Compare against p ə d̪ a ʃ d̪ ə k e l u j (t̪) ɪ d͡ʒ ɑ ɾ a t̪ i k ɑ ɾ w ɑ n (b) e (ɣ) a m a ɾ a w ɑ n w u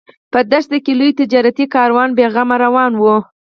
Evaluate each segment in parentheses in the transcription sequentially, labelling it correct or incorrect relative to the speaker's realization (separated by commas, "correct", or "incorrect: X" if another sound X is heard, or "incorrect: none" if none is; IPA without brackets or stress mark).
correct, correct, correct